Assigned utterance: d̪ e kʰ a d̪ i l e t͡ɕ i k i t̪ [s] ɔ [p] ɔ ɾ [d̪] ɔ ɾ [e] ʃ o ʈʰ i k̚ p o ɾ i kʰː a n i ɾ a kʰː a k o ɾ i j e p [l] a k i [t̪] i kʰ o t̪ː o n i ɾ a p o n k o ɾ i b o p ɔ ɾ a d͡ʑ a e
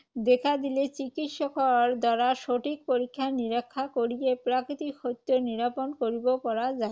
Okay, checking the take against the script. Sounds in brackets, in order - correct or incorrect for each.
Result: incorrect, incorrect, correct, incorrect, incorrect, correct

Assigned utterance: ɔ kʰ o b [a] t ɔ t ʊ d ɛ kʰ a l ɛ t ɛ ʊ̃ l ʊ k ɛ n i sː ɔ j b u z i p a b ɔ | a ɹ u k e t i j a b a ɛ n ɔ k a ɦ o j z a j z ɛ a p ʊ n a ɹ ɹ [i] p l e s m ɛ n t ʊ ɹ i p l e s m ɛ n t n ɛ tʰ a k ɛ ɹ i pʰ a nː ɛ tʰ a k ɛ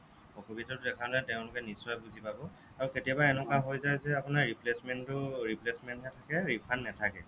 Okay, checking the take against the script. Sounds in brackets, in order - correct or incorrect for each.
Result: incorrect, correct

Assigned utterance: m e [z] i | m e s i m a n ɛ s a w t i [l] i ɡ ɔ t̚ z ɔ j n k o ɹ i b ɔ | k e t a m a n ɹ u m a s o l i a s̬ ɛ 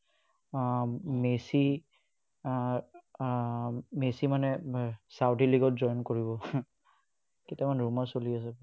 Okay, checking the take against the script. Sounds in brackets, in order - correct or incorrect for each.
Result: incorrect, correct

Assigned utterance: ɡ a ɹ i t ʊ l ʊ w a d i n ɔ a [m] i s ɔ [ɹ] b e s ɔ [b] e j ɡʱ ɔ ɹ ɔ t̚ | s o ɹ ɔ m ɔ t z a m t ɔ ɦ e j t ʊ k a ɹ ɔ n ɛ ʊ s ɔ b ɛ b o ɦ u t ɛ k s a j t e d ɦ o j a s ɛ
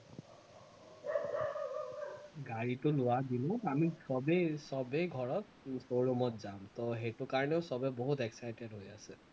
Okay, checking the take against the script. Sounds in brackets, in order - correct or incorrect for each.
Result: correct, incorrect, correct

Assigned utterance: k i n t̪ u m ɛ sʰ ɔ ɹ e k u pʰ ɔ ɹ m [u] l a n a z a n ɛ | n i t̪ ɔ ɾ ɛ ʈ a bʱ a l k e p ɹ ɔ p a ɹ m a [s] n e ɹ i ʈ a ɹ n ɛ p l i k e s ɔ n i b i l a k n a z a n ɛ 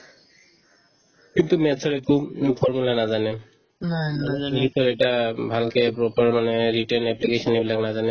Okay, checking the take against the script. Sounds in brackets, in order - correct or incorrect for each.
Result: correct, incorrect

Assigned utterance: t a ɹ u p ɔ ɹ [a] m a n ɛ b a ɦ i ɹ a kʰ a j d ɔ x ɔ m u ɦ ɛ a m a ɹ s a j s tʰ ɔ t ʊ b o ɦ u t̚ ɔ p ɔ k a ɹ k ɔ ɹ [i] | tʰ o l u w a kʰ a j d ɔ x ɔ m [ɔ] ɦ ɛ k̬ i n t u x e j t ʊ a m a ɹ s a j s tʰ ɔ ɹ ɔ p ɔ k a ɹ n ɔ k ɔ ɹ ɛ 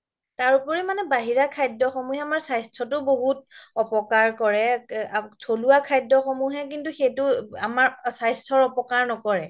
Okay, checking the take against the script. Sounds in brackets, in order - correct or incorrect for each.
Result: incorrect, incorrect, incorrect

